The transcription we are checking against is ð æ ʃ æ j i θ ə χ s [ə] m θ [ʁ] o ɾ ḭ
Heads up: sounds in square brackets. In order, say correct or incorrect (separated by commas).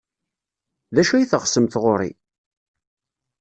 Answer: correct, correct